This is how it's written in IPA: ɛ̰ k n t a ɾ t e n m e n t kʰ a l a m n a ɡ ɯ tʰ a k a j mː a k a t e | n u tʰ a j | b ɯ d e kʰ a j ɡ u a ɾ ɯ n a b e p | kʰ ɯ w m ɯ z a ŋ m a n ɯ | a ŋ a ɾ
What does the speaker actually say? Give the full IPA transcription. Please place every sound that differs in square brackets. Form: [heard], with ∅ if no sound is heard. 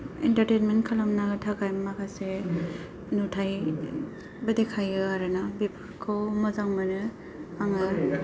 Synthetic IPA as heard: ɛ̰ [∅] n t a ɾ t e n m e n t kʰ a l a m n a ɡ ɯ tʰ a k a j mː a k a [s] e | n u tʰ a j | b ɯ d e kʰ a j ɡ [ɯ] a ɾ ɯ n a b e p | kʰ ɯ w m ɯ z a ŋ m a n ɯ | a ŋ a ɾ